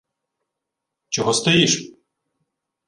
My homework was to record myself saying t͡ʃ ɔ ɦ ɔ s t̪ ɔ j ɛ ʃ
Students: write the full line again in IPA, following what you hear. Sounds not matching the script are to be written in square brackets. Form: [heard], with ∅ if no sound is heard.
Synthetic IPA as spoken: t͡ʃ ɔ ɦ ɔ s t̪ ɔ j [i] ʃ